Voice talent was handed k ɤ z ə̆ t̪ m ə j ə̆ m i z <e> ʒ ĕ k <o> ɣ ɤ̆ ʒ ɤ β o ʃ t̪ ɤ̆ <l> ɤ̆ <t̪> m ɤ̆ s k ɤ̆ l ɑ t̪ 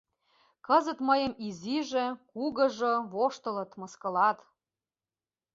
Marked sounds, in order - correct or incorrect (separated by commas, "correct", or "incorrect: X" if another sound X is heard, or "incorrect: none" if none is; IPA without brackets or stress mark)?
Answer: incorrect: i, incorrect: u, correct, correct